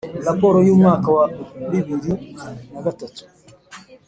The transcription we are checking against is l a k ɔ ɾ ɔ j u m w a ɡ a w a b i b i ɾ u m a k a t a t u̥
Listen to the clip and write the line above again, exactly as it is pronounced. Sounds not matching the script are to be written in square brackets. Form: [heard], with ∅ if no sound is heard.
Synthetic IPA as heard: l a [p] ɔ ɾ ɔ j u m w a [k] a w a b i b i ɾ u [n] a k a t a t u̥